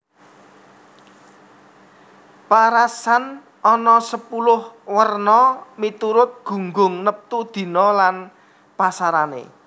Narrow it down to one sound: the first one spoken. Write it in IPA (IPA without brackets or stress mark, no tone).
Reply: p